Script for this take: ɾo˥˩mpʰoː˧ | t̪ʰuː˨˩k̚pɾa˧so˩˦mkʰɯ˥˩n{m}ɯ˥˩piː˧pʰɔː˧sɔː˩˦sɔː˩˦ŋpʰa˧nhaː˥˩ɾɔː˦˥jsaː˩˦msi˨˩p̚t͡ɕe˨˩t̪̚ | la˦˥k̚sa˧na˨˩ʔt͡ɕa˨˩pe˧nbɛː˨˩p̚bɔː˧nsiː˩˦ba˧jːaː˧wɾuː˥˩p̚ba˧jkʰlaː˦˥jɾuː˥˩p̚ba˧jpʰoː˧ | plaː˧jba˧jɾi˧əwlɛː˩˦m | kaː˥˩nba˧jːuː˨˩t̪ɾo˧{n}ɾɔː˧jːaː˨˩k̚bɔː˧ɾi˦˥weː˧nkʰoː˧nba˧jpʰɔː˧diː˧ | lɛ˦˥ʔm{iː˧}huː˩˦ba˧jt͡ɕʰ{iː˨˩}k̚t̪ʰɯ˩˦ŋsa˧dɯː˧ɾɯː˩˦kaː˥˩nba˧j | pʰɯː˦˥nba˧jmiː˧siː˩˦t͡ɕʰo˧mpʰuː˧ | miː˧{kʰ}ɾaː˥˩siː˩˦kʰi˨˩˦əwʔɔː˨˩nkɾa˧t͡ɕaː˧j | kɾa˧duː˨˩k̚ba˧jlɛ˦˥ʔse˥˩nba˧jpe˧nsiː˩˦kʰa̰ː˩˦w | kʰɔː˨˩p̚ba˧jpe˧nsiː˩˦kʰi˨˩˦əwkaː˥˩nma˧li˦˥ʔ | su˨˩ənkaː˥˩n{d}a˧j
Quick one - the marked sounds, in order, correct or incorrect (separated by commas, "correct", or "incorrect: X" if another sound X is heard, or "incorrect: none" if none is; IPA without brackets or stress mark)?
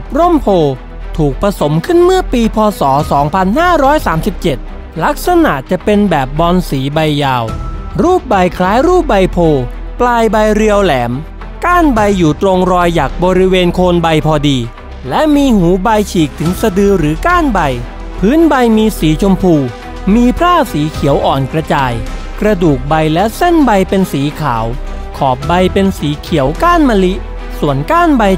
correct, incorrect: ŋ, correct, correct, incorrect: pʰ, incorrect: b